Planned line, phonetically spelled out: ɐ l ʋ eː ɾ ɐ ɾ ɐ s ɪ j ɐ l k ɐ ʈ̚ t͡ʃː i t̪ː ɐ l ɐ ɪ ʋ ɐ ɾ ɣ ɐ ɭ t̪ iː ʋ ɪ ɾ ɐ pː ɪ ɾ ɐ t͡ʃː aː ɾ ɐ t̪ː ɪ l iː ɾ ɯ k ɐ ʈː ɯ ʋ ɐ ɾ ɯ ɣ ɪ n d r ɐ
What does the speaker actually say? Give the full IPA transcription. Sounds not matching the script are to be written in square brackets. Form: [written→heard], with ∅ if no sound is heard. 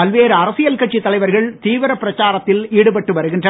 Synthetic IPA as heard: ɐ l ʋ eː ɾ ɐ ɾ ɐ s ɪ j ɐ l k ɐ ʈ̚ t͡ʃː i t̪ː ɐ l ɐ ɪ ʋ ɐ ɾ ɣ ɐ ɭ t̪ iː ʋ ɪ ɾ ɐ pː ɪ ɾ ɐ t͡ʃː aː ɾ ɐ t̪ː ɪ l iː [ɾ→ɽ] ɯ [k→p] ɐ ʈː ɯ ʋ ɐ ɾ ɯ ɣ ɪ n d r ɐ